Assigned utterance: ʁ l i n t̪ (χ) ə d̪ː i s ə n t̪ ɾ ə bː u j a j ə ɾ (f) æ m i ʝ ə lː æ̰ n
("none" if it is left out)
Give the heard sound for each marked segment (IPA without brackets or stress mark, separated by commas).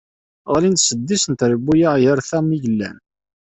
s, θ